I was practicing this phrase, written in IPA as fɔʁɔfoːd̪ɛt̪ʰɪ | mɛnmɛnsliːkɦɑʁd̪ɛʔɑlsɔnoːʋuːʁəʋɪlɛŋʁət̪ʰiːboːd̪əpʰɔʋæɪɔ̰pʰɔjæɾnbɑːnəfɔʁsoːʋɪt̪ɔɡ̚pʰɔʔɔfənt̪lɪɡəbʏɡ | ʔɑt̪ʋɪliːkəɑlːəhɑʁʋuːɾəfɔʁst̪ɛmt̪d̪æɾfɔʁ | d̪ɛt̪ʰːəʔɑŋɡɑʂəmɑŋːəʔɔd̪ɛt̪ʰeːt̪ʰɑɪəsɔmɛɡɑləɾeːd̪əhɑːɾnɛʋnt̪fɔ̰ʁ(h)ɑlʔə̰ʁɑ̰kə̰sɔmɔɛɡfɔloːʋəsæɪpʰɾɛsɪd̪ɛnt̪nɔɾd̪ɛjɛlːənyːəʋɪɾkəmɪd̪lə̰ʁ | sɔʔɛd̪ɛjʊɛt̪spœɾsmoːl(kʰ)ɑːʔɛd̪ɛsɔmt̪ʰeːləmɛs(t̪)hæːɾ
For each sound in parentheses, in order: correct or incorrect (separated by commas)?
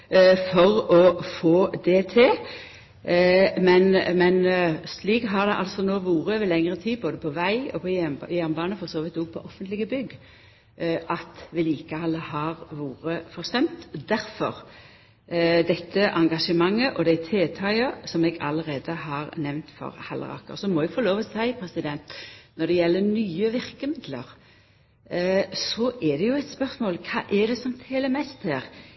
correct, correct, correct